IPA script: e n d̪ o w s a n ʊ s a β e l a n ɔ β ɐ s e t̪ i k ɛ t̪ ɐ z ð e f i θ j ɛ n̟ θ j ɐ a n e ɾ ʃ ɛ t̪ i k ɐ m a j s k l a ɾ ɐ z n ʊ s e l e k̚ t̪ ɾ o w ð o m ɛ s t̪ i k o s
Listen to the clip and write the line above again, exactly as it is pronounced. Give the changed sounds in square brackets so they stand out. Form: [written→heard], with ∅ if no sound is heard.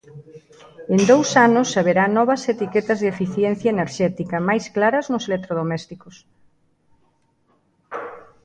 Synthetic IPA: e n d̪ o w s a n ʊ s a β e [l→ɾ] a n ɔ β ɐ s e t̪ i k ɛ t̪ ɐ z ð e f i θ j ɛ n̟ θ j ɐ [a→e] n e ɾ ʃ ɛ t̪ i k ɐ m a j s k l a ɾ ɐ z n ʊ s e l e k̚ t̪ ɾ o [w→∅] ð o m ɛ s t̪ i k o s